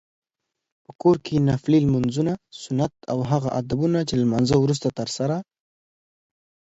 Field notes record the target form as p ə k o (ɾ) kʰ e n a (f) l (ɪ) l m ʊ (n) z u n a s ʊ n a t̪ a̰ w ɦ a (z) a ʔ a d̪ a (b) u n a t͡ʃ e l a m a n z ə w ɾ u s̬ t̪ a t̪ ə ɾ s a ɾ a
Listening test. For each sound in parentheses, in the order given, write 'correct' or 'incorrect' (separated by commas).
correct, correct, incorrect, correct, incorrect, correct